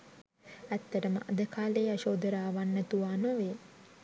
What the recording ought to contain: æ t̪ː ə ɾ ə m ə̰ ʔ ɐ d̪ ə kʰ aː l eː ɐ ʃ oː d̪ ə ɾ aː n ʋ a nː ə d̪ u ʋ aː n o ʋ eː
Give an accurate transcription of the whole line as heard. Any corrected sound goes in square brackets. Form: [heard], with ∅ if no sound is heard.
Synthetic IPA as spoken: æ t̪ː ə ɾ ə m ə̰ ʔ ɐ d̪ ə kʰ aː l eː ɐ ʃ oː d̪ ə ɾ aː [∅] ʋ a nː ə [t̪] u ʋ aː n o ʋ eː